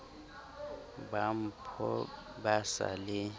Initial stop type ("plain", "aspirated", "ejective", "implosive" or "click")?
plain